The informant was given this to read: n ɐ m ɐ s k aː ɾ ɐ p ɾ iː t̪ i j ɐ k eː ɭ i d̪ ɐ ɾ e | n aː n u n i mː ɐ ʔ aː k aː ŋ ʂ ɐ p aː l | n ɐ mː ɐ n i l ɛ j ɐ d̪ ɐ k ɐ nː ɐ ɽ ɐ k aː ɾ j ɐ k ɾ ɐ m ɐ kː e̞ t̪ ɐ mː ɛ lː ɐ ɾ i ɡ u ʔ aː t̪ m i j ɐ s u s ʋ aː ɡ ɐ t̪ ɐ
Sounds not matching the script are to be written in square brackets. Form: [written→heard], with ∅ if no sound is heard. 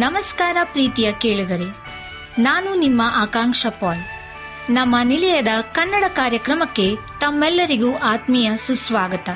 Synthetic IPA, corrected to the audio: n ɐ m ɐ s k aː ɾ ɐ p ɾ iː t̪ i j ɐ k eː ɭ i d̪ ɐ ɾ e | n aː n u n i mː ɐ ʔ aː k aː ŋ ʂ ɐ p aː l | n ɐ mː ɐ n i l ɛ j ɐ d̪ ɐ k ɐ nː ɐ ɽ ɐ k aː ɾ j ɐ k ɾ ɐ m ɐ kː e̞ t̪ ɐ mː ɛ lː ɐ ɾ i ɡ u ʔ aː t̪ m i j ɐ s u s ʋ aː ɡ ɐ t̪ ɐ